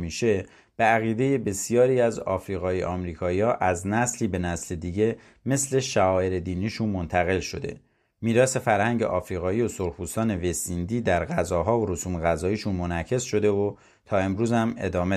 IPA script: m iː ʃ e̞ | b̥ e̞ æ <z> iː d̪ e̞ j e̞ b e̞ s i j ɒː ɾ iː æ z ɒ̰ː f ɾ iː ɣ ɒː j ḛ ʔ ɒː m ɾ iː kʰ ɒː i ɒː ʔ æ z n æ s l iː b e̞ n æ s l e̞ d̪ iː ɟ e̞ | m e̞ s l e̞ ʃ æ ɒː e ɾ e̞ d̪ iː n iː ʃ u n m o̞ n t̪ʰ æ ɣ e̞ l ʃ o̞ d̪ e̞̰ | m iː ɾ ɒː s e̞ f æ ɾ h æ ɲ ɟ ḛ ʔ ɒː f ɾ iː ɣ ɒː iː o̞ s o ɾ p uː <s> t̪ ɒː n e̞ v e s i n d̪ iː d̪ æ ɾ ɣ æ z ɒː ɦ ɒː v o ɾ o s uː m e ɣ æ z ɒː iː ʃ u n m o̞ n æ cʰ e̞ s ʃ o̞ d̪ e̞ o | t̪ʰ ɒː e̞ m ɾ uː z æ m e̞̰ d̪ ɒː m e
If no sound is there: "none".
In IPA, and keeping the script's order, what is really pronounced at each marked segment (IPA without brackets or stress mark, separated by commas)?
ɣ, s